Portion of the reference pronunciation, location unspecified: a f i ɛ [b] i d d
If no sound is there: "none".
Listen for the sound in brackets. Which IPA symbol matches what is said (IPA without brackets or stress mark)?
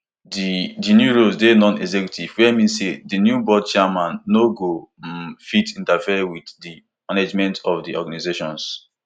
w